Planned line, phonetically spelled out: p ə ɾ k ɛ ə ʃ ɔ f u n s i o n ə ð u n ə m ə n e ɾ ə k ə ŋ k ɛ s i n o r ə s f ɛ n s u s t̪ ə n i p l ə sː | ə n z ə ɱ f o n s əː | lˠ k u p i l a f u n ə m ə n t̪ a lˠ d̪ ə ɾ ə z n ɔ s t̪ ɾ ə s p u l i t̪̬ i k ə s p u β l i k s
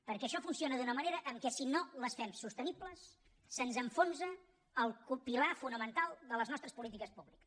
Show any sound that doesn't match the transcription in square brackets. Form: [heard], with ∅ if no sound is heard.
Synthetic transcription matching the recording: p ə ɾ k ɛ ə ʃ ɔ f u n s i o n ə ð u n ə m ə n e ɾ ə [ʔ] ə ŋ k ɛ s i n o [l] ə s f ɛ [m] s u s t̪ ə n i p l ə sː | ə n z ə ɱ f o n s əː | lˠ k u p i l a f u n ə m ə n t̪ a lˠ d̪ ə [l] ə z n ɔ s t̪ ɾ ə s p u l i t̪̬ i k ə s p u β l i k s

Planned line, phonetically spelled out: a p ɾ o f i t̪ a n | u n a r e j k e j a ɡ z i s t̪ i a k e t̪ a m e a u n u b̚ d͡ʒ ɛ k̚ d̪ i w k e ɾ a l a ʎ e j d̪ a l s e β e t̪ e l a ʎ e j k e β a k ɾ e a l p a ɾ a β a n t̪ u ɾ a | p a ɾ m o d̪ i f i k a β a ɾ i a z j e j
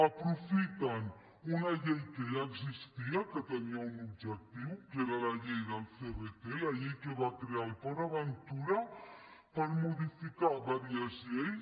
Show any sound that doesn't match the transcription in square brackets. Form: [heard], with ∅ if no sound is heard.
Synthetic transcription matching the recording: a p ɾ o f i t̪ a n | u n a [ʎ] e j k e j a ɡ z i s t̪ i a k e t̪ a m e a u n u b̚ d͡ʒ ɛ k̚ [t̪] i w k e ɾ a l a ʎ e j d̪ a l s e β e t̪ e l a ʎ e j k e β a k ɾ e a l p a ɾ a β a n t̪ u ɾ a | p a ɾ m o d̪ i f i k a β a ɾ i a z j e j

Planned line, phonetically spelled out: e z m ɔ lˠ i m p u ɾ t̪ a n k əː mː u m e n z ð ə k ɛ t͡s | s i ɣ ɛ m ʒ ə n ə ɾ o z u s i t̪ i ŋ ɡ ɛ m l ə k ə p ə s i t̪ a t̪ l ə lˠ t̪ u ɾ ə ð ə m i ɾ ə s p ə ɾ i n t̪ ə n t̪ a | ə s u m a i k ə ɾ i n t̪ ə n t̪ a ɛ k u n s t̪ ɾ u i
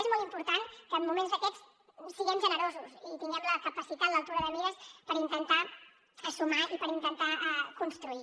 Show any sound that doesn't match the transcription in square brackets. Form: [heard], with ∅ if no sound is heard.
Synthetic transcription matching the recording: e z m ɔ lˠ i m p u ɾ t̪ a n k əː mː u m e n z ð ə k ɛ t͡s | s i ɣ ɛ m ʒ ə n ə ɾ o z u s i t̪ i ŋ ɡ ɛ m l ə k ə p ə s i t̪ a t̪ l ə lˠ t̪ u ɾ ə ð ə m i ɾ ə s p ə ɾ i n t̪ ə n t̪ a | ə s u m a i [p] ə ɾ i n t̪ ə n t̪ a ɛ k u n s t̪ ɾ u i

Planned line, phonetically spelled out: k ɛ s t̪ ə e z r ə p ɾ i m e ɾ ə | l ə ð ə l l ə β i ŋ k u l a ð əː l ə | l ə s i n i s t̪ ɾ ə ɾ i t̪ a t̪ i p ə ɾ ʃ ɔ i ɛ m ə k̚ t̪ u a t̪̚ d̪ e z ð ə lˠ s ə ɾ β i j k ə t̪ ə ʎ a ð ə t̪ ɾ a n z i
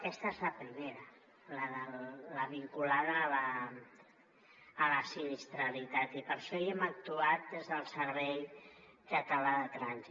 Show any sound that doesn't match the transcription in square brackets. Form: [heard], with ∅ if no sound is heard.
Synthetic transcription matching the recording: k ɛ s t̪ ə e z [l] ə p ɾ i m e ɾ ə | l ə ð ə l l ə β i ŋ k u l a ð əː l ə | l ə s i n i s t̪ ɾ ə [l] i t̪ a t̪ i p ə ɾ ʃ ɔ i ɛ m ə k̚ t̪ u a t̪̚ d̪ e z ð ə lˠ s ə ɾ β [ɛ] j k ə t̪ ə [l] a ð ə t̪ ɾ a n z i

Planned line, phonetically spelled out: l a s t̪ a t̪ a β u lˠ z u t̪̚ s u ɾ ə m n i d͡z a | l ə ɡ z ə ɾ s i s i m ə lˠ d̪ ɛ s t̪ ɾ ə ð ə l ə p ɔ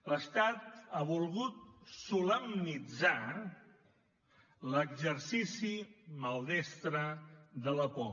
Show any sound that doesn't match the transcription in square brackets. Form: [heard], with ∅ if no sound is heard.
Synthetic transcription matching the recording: l [ə] s t̪ a t̪ a β u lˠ [ɣ] u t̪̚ s u [l] ə m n i d͡z a | l ə ɡ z ə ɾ s i s i m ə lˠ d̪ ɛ s t̪ ɾ ə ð ə l ə p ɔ

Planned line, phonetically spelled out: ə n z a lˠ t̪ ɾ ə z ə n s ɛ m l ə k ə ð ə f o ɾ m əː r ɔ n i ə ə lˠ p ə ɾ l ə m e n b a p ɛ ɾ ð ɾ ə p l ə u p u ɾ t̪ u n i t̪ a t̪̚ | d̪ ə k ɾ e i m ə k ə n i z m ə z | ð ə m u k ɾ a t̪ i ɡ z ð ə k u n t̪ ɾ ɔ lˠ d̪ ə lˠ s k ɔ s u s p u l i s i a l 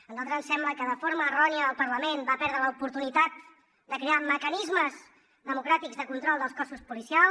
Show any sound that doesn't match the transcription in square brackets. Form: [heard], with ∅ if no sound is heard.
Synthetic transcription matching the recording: ə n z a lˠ t̪ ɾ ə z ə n s ɛ m l ə k ə ð ə f o ɾ m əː r ɔ n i ə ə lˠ p ə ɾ l ə m e n b a p ɛ ɾ ð ɾ ə [∅] l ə u p u ɾ t̪ u n i t̪ a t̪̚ | d̪ ə k ɾ e [a] m ə k ə n i z m ə z | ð ə m u k ɾ a t̪ i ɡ z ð ə k u n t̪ ɾ ɔ lˠ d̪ ə lˠ s k ɔ s u s p u l i s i a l

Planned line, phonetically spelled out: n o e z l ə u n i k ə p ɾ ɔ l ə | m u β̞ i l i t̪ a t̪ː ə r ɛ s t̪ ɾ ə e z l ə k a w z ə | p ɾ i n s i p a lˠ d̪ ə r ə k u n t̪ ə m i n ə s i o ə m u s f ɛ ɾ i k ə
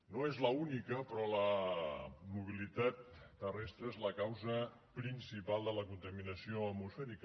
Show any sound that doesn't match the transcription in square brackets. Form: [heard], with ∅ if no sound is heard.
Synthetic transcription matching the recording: n o e z l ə u n i k ə p ɾ ɔ l ə | m u β̞ i l i t̪ a t̪ː ə r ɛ s t̪ ɾ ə e z l ə k a w z ə | p ɾ i n s i p a lˠ d̪ ə [l] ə k u n t̪ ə m i n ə s i o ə m u s f ɛ ɾ i k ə

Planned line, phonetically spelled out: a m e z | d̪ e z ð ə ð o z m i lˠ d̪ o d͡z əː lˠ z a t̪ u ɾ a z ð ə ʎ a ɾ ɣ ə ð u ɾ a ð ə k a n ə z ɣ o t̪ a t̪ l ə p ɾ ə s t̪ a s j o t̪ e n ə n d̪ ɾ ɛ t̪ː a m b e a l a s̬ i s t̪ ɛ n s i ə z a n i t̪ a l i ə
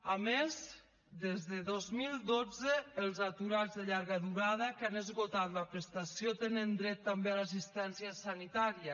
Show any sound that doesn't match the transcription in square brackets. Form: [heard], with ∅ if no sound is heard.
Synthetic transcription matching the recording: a m e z | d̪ e z ð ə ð o z m i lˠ d̪ o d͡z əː lˠ z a t̪ u ɾ a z ð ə ʎ a ɾ ɣ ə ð u ɾ a ð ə k a n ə z ɣ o t̪ a t̪ l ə p ɾ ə s t̪ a s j o t̪ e n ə n d̪ ɾ ɛ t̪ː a m b e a l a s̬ i s t̪ ɛ n s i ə [s] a n i t̪ a [ɾ] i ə

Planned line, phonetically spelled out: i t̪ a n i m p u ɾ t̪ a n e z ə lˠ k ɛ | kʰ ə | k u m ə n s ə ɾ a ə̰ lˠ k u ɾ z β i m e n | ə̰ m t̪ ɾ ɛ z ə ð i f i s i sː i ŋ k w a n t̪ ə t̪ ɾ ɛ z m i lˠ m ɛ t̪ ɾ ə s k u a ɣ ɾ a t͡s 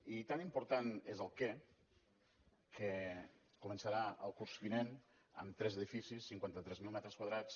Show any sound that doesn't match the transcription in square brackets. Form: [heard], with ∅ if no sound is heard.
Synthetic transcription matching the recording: i t̪ a n i m p u ɾ t̪ a n e z ə lˠ k ɛ | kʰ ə | k u m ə n s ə ɾ a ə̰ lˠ k u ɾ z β i [n] e n | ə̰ m t̪ ɾ ɛ z ə ð i f i s i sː i ŋ k w a n t̪ ə t̪ ɾ ɛ z m i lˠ m ɛ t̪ ɾ ə s k [w] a [ð] ɾ a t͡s

